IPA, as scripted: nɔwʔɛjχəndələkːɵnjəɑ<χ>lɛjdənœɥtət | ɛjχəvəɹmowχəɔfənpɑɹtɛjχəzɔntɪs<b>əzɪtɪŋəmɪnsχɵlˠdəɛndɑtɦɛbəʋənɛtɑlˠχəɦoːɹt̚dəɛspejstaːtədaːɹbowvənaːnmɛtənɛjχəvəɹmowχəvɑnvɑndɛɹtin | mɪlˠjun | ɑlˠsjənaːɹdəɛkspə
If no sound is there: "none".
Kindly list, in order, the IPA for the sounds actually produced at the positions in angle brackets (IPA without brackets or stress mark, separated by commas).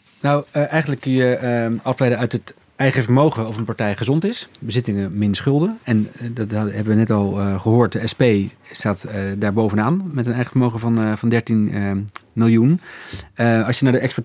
f, b